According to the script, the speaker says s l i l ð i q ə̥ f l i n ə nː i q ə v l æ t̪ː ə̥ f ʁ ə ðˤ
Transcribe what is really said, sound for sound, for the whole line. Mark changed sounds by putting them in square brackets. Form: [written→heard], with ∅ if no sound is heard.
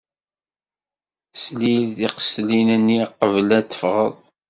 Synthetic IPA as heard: s l i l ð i q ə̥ [f→s] l i n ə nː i q ə v l æ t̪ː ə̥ f ʁ ə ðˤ